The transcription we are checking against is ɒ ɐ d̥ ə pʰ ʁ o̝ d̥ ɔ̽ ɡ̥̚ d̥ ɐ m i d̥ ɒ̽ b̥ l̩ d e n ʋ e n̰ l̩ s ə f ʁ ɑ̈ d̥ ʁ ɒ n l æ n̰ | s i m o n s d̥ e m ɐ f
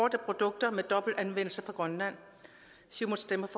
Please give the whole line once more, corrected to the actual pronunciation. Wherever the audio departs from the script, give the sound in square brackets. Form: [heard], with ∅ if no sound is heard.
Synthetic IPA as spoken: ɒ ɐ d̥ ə pʰ ʁ o̝ d̥ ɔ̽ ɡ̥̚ d̥ ɐ m [e] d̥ ɒ̽ b̥ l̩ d [æ] n ʋ e n̰ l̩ s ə f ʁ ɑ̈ [ɡ̥] ʁ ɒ n l æ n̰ | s i m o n s d̥ e m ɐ f